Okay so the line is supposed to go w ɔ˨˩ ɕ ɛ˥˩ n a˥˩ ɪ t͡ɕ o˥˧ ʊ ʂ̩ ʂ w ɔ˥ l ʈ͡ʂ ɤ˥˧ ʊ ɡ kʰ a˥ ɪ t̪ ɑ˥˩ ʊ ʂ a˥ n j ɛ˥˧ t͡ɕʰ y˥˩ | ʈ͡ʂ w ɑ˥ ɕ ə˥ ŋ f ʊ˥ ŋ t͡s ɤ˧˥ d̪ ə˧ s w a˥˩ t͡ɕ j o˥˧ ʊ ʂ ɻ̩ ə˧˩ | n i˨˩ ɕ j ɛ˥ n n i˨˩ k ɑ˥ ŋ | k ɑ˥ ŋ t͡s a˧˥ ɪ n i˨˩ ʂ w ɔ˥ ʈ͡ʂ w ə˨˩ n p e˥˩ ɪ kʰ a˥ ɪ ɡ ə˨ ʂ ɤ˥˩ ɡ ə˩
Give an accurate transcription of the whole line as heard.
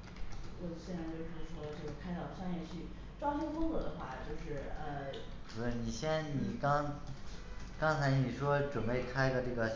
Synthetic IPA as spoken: w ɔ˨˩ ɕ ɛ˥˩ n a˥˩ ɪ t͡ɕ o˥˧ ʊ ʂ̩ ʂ w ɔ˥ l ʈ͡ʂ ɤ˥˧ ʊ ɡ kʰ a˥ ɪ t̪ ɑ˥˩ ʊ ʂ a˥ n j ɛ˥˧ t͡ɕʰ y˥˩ | ʈ͡ʂ w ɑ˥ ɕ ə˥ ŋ f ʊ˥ ŋ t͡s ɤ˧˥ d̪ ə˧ x w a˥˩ t͡ɕ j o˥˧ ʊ ʂ ɻ̩ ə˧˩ | n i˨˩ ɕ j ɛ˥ n n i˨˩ k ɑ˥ ŋ | k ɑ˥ ŋ t͡sʰ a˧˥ ɪ n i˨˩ ʂ w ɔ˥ ʈ͡ʂ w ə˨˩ n p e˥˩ ɪ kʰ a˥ ɪ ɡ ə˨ ʈ͡ʂ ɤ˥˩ ɡ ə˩